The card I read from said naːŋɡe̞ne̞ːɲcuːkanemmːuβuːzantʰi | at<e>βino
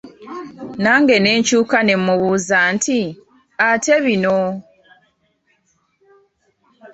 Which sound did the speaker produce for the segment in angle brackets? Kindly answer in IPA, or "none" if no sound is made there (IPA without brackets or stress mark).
e